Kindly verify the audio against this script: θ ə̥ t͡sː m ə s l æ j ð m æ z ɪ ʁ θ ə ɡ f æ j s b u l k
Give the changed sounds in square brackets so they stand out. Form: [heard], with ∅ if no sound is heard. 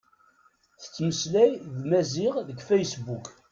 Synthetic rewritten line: θ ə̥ t͡sː m ə s l æ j ð m æ z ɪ ʁ [ð] ə ɡ f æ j s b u [∅] k